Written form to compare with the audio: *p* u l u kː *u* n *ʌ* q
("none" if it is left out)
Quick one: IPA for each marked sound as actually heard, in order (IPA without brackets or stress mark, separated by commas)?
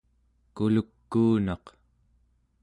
k, uː, ɑ